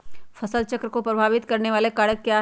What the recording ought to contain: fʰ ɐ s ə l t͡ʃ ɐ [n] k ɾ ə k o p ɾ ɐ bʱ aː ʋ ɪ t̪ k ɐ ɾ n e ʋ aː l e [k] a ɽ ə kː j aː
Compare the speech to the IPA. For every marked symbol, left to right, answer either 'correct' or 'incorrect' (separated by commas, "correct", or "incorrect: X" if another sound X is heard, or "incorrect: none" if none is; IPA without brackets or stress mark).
incorrect: none, correct